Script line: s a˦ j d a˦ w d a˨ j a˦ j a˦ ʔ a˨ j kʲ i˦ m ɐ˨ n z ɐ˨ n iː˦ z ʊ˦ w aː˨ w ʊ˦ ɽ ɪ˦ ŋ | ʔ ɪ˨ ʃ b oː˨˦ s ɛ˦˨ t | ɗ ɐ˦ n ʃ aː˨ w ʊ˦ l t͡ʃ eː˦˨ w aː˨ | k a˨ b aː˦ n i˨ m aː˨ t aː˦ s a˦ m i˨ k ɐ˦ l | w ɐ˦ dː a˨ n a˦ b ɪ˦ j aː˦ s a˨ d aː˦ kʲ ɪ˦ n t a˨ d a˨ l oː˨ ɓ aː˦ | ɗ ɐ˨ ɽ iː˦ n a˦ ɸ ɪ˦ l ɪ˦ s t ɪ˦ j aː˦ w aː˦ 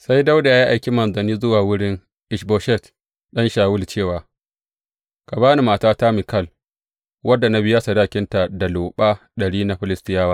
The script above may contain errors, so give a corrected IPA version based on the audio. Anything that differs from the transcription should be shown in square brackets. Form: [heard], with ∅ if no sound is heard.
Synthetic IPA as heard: s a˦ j d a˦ w d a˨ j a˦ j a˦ ʔ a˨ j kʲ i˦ m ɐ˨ n z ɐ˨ n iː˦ z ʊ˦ w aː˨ w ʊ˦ ɽ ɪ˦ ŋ | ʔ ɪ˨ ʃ b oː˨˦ [ʃ] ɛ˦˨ t | ɗ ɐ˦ n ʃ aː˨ w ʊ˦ l t͡ʃ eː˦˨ w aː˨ | k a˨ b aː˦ n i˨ m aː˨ t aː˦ [t] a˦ m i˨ k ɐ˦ l | w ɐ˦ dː a˨ n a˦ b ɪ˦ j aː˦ s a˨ d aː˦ kʲ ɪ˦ n t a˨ d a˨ l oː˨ ɓ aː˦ | ɗ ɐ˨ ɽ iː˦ n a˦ ɸ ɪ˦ l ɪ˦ s t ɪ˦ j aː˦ w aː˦

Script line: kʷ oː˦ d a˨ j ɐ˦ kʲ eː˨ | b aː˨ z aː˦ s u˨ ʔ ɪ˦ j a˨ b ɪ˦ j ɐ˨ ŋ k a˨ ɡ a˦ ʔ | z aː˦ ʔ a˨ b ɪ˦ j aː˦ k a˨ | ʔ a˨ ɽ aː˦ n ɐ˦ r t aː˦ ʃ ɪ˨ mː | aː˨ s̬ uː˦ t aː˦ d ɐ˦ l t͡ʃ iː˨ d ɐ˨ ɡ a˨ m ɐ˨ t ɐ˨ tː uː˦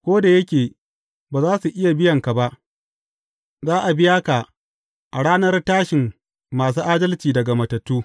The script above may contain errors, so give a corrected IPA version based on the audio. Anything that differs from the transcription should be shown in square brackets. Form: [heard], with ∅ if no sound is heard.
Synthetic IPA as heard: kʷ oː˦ d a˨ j ɐ˦ kʲ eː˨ | b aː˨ z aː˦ s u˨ ʔ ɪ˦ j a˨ b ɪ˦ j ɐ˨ ŋ k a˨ [b] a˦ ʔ | z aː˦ ʔ a˨ b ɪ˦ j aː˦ k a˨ | ʔ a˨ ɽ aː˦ n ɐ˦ r t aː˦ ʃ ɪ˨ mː | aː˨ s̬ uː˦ [ʔ] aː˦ d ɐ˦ l t͡ʃ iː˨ d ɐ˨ ɡ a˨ m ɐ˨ t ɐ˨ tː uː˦

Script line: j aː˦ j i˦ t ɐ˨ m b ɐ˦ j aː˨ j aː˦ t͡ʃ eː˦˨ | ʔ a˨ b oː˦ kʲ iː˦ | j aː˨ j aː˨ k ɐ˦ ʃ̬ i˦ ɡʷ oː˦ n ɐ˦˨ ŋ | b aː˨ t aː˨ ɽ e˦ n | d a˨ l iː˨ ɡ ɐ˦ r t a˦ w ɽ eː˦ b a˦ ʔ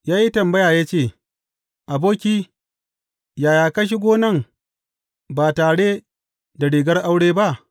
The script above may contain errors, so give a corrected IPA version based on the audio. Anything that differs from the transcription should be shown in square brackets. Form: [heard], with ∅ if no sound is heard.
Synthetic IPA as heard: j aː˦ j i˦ t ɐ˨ m b ɐ˦ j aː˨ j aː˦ t͡ʃ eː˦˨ | ʔ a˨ b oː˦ kʲ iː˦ | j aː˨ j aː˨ k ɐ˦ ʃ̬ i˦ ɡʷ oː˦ n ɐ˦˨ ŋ | b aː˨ t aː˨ ɽ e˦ [∅] | d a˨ [ɽ] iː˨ ɡ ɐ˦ r [ʔ] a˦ w ɽ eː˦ b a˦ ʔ

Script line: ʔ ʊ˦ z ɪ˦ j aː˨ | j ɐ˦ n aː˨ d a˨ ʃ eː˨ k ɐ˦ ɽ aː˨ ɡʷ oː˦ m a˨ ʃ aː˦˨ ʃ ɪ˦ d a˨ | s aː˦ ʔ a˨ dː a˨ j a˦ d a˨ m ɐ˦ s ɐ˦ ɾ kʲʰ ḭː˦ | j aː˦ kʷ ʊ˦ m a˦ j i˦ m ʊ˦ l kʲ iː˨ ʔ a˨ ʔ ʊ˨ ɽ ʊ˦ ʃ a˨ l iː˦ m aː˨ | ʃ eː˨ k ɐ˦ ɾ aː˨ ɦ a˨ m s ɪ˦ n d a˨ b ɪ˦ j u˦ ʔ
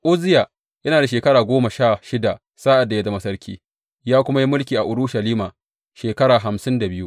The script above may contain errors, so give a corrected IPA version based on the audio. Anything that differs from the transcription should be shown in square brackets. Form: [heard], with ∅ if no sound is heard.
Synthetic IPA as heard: ʔ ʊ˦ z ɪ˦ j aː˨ | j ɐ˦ n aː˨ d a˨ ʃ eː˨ k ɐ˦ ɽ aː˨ ɡʷ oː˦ m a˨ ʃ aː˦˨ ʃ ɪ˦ d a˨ | s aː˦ ʔ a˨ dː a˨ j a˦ d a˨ m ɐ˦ s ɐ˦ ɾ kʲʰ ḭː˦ | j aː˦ kʷ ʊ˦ m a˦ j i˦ m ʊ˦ l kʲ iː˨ ʔ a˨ ʔ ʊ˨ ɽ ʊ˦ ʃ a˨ l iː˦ m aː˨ | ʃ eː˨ k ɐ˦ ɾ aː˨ ɦ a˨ m s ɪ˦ n d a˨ b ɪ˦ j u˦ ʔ

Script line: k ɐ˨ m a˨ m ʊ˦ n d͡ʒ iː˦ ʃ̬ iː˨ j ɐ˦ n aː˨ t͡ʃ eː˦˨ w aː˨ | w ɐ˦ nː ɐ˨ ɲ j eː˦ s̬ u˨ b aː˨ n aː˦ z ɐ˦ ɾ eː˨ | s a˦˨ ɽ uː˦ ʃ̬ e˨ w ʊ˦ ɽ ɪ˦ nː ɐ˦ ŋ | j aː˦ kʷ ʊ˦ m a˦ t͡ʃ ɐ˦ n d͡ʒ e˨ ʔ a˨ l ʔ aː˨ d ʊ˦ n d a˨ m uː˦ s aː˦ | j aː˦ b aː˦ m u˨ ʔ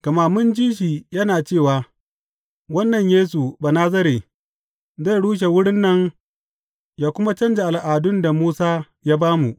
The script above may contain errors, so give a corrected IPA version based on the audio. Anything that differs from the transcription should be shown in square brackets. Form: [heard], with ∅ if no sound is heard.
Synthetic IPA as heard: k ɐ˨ m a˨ m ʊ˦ n d͡ʒ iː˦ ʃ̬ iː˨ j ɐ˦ n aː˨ t͡ʃ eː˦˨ w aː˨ | w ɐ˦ nː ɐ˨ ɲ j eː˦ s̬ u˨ b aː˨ n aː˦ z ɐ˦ ɾ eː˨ | [z] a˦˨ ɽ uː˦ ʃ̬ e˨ w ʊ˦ ɽ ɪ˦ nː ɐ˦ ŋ | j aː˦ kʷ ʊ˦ m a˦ t͡ʃ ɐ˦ n d͡ʒ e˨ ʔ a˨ l ʔ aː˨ d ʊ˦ n d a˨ m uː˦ s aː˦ | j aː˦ b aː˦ m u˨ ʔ

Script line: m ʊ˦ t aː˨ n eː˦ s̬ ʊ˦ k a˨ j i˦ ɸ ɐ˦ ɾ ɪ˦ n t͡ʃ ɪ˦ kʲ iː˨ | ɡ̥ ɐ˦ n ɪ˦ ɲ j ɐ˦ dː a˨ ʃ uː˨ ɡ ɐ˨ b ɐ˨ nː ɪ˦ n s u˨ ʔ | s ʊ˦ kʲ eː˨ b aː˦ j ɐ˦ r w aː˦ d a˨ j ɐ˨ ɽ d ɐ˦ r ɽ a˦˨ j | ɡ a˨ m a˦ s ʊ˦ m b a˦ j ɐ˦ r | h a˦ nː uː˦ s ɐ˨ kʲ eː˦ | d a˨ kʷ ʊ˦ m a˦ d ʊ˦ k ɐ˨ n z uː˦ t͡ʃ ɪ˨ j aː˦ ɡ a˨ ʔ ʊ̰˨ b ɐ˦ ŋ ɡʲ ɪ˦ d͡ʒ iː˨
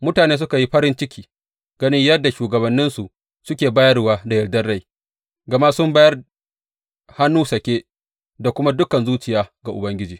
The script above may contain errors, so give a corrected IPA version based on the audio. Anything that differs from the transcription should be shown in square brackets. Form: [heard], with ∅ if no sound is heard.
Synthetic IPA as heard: m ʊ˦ t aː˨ n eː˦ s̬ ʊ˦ k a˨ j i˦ ɸ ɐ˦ ɾ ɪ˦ n t͡ʃ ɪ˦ kʲ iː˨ | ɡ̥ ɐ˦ n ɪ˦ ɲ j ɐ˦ dː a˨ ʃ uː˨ ɡ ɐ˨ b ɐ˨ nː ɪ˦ n s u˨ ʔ | s ʊ˦ kʲ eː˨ b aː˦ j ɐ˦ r w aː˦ d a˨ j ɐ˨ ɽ d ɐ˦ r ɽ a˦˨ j | ɡ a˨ m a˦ s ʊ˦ m b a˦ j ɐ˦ r | h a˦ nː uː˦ s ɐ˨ kʲ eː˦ | d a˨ kʷ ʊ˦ m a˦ d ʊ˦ k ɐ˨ n z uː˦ t͡ʃ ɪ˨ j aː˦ ɡ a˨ ʔ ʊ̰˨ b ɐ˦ ŋ ɡʲ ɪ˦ d͡ʒ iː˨

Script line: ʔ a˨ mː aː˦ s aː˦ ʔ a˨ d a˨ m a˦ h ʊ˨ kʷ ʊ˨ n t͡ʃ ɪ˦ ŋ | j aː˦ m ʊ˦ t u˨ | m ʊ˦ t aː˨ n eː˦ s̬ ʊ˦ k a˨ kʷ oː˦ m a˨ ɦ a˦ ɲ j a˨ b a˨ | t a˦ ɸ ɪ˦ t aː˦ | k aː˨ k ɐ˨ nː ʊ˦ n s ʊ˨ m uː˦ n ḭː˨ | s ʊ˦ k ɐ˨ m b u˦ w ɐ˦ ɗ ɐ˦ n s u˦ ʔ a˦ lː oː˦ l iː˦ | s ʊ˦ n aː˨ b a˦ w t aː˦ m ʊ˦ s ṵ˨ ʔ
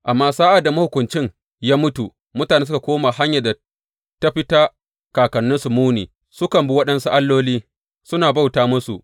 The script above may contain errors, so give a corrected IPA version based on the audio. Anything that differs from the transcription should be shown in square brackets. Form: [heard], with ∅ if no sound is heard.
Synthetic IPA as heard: ʔ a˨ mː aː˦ s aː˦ ʔ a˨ d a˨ m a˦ h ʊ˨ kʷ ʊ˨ n t͡ʃ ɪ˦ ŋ | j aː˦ m ʊ˦ t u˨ | m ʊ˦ t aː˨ n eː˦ s̬ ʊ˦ k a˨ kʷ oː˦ m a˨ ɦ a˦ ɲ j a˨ [d] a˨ | t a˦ ɸ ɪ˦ t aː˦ | k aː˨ k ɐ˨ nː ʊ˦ n s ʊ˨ m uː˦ n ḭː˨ | s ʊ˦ k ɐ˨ m b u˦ w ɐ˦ ɗ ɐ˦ n s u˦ ʔ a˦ lː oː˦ l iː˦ | s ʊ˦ n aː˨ b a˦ w t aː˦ m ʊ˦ s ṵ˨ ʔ

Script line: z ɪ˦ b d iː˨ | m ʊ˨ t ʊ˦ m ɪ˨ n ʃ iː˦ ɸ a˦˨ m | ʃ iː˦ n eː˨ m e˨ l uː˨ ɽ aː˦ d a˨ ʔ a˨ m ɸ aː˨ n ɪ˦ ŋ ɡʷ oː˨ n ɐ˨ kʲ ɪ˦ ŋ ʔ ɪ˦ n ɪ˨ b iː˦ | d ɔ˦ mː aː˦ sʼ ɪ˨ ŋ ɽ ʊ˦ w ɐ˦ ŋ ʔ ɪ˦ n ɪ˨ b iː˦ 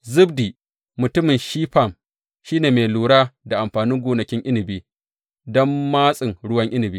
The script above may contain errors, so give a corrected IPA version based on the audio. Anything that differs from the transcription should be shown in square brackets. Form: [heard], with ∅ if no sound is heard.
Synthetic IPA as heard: z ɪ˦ b d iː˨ | m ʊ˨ t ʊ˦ m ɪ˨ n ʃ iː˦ ɸ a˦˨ m | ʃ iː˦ n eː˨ m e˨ l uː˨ ɽ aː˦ d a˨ ʔ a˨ m ɸ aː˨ n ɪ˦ ŋ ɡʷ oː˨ n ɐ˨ kʲ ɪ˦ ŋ ʔ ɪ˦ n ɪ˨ b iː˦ | d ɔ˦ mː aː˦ sʼ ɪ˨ ŋ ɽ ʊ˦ w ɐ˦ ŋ ʔ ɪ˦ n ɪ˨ b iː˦

